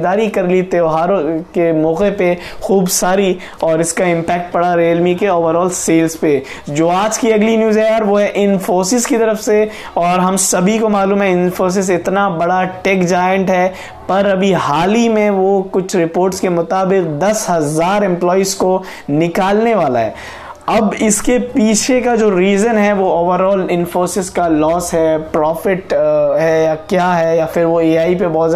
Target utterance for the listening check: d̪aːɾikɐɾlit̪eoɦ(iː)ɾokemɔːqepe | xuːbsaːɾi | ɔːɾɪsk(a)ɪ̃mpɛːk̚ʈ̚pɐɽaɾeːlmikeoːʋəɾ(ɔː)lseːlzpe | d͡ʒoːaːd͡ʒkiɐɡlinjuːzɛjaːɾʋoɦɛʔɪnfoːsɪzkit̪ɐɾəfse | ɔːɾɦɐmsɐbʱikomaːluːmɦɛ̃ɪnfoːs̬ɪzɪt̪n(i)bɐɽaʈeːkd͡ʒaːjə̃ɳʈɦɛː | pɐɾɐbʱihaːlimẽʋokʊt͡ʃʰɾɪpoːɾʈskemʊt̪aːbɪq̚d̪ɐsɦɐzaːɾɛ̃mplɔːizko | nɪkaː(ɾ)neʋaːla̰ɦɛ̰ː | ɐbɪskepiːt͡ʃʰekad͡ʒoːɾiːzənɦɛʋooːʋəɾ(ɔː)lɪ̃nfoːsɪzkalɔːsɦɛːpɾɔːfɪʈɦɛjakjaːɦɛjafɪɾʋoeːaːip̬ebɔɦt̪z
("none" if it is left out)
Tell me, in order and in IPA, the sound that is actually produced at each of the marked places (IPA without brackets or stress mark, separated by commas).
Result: aː, a, ɔː, a, l, ɔː